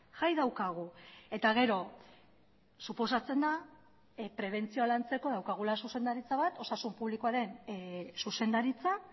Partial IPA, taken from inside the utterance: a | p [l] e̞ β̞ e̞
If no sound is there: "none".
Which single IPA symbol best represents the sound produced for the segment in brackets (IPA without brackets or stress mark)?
ɾ